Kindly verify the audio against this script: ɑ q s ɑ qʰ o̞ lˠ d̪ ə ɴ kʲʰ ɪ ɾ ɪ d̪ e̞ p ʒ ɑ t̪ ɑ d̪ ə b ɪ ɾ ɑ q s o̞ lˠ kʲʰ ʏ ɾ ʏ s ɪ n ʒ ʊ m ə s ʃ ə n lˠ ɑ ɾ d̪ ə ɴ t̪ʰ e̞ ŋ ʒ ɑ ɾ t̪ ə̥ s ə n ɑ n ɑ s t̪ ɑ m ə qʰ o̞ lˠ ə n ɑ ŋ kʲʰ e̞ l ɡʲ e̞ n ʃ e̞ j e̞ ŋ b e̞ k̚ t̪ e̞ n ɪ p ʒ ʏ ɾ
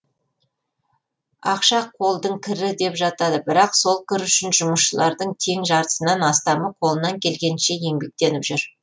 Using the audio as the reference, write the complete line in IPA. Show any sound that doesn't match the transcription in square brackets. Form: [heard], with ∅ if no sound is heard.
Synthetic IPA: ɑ q [ʃ] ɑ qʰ o̞ lˠ d̪ ə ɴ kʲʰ ɪ ɾ ɪ d̪ e̞ p ʒ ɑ t̪ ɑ d̪ ə b ɪ ɾ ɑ q s o̞ lˠ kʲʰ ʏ ɾ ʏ [ʃ] ɪ n ʒ ʊ m ə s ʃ ə [∅] lˠ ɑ ɾ d̪ ə ɴ t̪ʰ e̞ ŋ ʒ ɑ ɾ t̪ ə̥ s ə n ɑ n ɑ s t̪ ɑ m ə qʰ o̞ lˠ ə n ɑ ŋ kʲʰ e̞ l ɡʲ e̞ n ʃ e̞ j e̞ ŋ b e̞ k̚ t̪ e̞ n ɪ p ʒ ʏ ɾ

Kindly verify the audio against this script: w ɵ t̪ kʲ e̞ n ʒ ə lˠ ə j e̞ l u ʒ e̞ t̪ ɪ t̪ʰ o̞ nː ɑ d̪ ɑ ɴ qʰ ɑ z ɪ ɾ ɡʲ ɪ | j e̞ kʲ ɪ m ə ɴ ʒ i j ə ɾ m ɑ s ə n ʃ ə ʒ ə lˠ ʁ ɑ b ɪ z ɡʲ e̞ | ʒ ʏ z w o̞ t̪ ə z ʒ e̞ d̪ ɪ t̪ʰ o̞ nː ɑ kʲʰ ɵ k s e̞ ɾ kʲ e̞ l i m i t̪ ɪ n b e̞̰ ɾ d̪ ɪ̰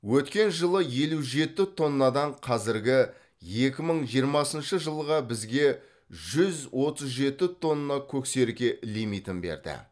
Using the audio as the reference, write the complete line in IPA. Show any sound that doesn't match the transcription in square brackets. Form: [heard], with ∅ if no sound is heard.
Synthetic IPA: w ɵ t̪ kʲ e̞ n ʒ ə lˠ ə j e̞ l u ʒ e̞ t̪ ɪ t̪ʰ o̞ nː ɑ d̪ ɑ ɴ qʰ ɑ z ɪ ɾ ɡʲ ɪ | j e̞ kʲ ɪ m ə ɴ ʒ i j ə ɾ m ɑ s ə n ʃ ə ʒ ə lˠ ʁ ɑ b ɪ z ɡʲ e̞ | ʒ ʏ z w o̞ t̪ ə z ʒ e̞ [t̪] ɪ t̪ʰ o̞ nː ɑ kʲʰ ɵ k s e̞ ɾ kʲ e̞ l i m i t̪ ɪ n b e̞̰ ɾ d̪ ɪ̰

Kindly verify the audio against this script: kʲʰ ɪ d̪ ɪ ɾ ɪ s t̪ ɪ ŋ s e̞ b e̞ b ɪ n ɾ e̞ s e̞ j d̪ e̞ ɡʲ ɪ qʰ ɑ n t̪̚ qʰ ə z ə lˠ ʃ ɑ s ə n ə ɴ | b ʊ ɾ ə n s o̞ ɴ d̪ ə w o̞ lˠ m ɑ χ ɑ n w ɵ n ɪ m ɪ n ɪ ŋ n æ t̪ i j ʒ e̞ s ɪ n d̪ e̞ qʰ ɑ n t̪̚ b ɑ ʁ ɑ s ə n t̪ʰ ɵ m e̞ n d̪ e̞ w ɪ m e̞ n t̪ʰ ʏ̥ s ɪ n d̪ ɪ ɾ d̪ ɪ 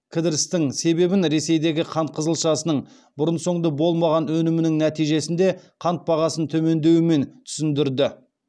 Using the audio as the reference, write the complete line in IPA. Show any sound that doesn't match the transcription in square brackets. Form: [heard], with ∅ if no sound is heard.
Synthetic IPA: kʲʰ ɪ d̪ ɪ ɾ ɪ s t̪ ɪ ŋ s e̞ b e̞ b ɪ n ɾ e̞ s e̞ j d̪ e̞ ɡʲ ɪ qʰ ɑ n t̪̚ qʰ ə z ə lˠ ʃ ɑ s ə n ə ɴ | b ʊ ɾ ə n s o̞ ɴ d̪ ə [b] o̞ lˠ m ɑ [ʁ] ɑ n w ɵ n ɪ m ɪ n ɪ ŋ n æ t̪ i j ʒ e̞ s ɪ n d̪ e̞ qʰ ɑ n t̪̚ b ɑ ʁ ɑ s ə n t̪ʰ ɵ m e̞ n d̪ e̞ w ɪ m e̞ n t̪ʰ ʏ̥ s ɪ n d̪ ɪ ɾ d̪ ɪ

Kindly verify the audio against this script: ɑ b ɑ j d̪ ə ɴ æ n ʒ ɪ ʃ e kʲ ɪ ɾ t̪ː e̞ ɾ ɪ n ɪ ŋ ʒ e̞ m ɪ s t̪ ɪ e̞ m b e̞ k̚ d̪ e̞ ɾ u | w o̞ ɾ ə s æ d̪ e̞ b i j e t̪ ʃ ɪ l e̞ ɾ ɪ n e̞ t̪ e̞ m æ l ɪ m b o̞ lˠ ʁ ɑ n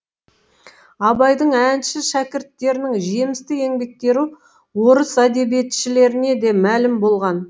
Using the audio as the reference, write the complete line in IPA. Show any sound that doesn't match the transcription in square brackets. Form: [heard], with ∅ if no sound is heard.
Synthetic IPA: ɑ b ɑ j d̪ ə ɴ æ n [ʃ] ɪ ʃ [æ] kʲ ɪ ɾ t̪ː e̞ ɾ ɪ n ɪ ŋ ʒ e̞ m ɪ s t̪ ɪ e̞ [ŋ] b e̞ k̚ [t̪] e̞ ɾ u | w o̞ ɾ ə s æ d̪ e̞ b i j e t̪ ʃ ɪ l e̞ ɾ ɪ n e̞ [d̪] e̞ m æ l ɪ m b o̞ lˠ ʁ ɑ n

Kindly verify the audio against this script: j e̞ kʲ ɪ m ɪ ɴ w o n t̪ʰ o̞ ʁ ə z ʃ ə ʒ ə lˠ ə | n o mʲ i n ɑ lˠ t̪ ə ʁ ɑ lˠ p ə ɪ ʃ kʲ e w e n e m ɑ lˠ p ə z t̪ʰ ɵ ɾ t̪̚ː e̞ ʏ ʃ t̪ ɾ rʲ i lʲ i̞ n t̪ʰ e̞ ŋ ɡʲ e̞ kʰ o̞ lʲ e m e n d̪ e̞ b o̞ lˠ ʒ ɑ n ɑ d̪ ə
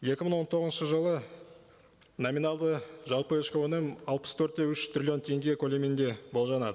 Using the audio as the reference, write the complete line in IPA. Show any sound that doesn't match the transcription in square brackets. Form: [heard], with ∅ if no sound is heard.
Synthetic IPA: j e̞ kʲ ɪ m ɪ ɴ w o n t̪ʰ o̞ ʁ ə z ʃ ə ʒ ə lˠ ə | n o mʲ i n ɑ lˠ [d̪] ə [ʒ] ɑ lˠ p ə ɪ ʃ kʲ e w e n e m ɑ lˠ p ə [s] t̪ʰ ɵ ɾ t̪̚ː e̞ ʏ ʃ t̪ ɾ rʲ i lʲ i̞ n t̪ʰ e̞ ŋ ɡʲ e̞ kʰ o̞ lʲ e m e n d̪ e̞ b o̞ lˠ ʒ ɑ n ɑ d̪ ə

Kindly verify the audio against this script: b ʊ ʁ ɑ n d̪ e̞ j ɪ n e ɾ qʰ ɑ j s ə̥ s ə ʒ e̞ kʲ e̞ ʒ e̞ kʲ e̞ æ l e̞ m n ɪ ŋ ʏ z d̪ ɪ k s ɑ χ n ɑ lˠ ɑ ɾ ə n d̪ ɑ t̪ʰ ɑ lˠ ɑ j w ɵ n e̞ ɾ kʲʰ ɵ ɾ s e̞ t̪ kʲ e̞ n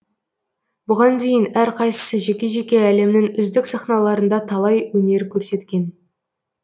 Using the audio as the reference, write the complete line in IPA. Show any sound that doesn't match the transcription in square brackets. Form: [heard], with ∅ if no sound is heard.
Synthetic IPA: b ʊ ʁ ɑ n d̪ e̞ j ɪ n [æ] ɾ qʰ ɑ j s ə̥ s ə ʒ e̞ kʲ e̞ ʒ e̞ kʲ e̞ æ l e̞ m n ɪ ŋ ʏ z d̪ ɪ k s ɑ χ n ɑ lˠ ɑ ɾ ə n d̪ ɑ t̪ʰ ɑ lˠ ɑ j w ɵ n e̞ ɾ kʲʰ ɵ ɾ s e̞ t̪ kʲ e̞ n

